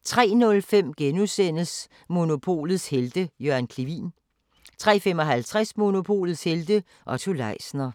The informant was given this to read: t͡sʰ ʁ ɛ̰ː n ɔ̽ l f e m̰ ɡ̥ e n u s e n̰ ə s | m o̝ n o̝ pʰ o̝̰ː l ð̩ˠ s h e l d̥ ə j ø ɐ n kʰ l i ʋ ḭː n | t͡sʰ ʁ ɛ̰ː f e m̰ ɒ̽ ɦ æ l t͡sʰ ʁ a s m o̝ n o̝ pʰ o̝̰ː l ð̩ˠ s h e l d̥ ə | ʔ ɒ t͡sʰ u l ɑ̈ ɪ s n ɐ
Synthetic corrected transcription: t͡sʰ ʁ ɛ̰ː n ɔ̽ l f e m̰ ɡ̥ e n u s e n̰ ə s | m o̝ n o̝ pʰ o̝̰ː l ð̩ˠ s h e l d̥ ə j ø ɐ n kʰ l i ʋ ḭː n | t͡sʰ ʁ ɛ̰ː f e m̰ ɒ̽ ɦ æ l t͡sʰ ʁ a s m o̝ n o̝ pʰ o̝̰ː l ð̩ˠ s h e l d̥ ə | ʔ ɒ t͡sʰ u l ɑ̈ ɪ s n ɐ